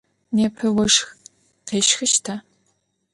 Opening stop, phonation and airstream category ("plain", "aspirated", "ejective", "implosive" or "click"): aspirated